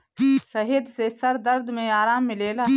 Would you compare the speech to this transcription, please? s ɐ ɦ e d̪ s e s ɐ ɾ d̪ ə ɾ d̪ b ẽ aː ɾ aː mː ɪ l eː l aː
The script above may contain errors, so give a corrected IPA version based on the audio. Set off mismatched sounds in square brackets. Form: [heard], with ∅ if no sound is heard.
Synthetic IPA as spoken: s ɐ ɦ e d̪ s e s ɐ ɾ d̪ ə ɾ d̪ [m] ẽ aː ɾ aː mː ɪ l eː l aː